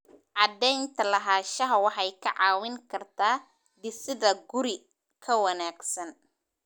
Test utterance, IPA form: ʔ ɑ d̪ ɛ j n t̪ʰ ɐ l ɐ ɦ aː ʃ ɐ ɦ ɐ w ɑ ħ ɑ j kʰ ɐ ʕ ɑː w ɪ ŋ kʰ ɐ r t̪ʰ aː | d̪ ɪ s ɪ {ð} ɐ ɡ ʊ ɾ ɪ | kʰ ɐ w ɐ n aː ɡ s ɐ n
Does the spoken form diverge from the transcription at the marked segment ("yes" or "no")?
no